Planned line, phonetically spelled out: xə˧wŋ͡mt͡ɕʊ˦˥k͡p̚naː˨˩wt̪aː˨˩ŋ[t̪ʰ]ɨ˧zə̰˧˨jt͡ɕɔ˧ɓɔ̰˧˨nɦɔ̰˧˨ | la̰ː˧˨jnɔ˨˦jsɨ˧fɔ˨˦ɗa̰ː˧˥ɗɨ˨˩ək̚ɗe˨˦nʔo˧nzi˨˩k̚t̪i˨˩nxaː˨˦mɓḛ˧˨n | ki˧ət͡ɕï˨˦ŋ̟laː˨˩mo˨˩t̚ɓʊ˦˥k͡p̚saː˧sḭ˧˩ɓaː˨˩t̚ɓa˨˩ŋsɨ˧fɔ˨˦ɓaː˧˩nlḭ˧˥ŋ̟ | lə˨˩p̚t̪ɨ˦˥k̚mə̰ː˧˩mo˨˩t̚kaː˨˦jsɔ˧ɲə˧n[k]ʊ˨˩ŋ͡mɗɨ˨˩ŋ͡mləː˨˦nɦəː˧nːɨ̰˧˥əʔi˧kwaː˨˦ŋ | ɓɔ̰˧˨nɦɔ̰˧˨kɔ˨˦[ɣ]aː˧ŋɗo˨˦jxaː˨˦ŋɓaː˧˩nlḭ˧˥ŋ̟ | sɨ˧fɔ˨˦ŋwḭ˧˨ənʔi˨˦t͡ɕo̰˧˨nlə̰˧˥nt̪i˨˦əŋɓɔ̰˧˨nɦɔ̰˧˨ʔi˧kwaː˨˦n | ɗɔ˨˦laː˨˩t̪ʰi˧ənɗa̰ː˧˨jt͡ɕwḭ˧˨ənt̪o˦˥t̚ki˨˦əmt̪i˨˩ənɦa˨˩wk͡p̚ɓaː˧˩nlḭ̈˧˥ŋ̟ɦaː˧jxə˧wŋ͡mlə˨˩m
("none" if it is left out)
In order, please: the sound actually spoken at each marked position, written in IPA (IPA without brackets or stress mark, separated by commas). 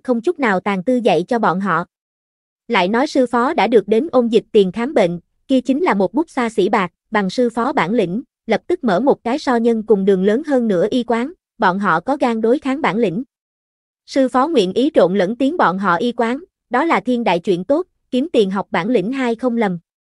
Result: t̪, k, ɣ